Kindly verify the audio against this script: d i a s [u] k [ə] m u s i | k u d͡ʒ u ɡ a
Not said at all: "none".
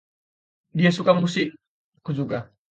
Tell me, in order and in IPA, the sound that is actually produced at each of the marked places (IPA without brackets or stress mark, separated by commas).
u, a